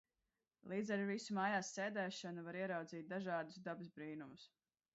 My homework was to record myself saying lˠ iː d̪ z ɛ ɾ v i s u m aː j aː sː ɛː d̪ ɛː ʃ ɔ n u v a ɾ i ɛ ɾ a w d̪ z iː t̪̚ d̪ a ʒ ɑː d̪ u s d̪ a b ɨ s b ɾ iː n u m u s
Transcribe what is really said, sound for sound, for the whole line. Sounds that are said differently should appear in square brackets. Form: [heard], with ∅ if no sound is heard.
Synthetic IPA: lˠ iː d̪ z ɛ ɾ v i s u m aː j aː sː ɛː d̪ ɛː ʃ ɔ n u v a ɾ i ɛ ɾ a w d̪ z iː t̪̚ d̪ a ʒ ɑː d̪ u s d̪ a b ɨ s b ɾ iː n u m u s